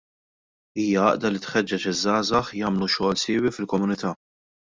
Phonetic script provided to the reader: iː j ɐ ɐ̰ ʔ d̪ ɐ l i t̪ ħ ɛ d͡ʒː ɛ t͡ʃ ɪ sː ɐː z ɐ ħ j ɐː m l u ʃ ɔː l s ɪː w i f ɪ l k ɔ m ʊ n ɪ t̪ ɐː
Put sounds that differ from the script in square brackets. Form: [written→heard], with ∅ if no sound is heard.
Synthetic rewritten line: iː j ɐ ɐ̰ ʔ d̪ ɐ l i t̪ ħ ɛ d͡ʒː ɛ t͡ʃ ɪ [sː→zː] ɐː z ɐ ħ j ɐː m l u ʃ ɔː l s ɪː w i f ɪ l k ɔ m ʊ n ɪ t̪ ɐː